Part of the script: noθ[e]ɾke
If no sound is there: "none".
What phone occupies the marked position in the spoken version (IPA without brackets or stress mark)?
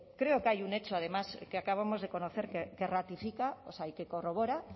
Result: e